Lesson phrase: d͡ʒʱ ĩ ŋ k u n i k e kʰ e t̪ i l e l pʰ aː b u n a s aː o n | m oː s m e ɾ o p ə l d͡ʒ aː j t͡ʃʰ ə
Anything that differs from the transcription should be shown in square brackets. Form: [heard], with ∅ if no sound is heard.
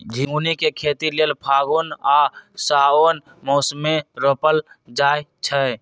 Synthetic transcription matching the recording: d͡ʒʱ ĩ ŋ [ɡ] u n i k e kʰ e t̪ i l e l pʰ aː [ɡ] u n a s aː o n | m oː s m e ɾ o p ə l d͡ʒ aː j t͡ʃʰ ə